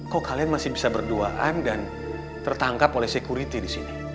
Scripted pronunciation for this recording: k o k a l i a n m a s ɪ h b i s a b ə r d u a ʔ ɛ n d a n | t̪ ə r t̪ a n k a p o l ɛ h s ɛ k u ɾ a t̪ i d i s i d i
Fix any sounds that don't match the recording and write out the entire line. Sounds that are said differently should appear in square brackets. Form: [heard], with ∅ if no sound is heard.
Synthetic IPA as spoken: k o k a l i a n m a s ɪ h b i s a b ə r d u a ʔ [a] n d a n | t̪ ə r t̪ a [ŋ] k a p o l ɛ h s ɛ k u ɾ [i] t̪ i d i s i [n] i